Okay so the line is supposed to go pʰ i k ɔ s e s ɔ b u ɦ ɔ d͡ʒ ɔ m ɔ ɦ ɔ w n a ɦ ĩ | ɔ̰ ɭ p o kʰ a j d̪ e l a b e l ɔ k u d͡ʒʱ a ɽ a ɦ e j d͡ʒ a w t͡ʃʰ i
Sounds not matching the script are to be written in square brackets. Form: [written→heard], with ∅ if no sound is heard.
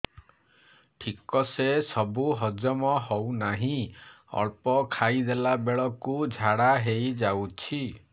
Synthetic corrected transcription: [pʰ→ʈʰ] i k ɔ s e s ɔ b u ɦ ɔ d͡ʒ ɔ m ɔ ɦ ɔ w n a ɦ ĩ | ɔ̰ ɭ p [o→ɔ] kʰ a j d̪ e l a b e [l→ɭ] ɔ k u d͡ʒʱ a ɽ a ɦ e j d͡ʒ a w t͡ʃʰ i